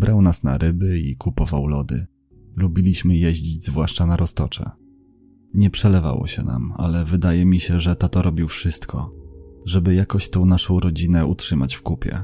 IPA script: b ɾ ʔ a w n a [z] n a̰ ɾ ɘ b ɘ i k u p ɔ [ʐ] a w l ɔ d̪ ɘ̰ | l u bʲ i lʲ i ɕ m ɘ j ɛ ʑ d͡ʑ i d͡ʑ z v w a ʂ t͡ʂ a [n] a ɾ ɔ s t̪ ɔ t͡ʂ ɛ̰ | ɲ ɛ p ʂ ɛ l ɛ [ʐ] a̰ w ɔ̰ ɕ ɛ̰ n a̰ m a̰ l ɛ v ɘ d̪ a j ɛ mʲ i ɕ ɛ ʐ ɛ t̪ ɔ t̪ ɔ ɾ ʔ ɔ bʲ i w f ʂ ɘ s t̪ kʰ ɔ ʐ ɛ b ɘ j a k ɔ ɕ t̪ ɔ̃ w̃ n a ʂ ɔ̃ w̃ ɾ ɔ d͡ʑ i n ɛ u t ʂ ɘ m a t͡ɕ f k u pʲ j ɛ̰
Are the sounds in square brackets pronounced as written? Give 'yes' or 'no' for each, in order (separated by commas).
no, no, yes, no